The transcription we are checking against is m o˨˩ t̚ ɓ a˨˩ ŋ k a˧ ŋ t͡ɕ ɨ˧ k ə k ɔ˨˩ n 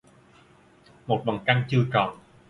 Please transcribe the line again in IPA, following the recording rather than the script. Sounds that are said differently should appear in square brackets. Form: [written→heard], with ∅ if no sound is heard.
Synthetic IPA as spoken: m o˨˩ t̚ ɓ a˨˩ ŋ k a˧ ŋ t͡ɕ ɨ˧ [k→∅] ə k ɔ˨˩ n